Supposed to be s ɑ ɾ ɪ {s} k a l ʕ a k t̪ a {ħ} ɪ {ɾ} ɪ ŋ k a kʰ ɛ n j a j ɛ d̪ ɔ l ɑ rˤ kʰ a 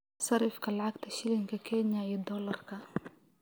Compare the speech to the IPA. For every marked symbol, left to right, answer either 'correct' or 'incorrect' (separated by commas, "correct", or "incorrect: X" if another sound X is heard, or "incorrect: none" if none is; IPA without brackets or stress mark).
incorrect: f, incorrect: ʃ, incorrect: l